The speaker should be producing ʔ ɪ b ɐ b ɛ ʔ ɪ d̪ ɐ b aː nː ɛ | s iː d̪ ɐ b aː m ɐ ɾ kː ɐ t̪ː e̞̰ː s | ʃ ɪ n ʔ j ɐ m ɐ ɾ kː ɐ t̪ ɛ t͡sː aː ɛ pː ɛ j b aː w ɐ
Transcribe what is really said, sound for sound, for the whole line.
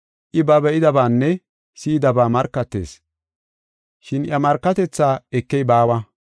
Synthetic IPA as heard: ʔ ɪ b ɐ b ɛ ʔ ɪ d̪ ɐ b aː nː ɛ | s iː d̪ ɐ b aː m ɐ ɾ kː ɐ t̪ː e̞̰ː s | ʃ ɪ n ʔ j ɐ m ɐ ɾ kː ɐ t̪ ɛ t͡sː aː ɛ kː ɛ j b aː w ɐ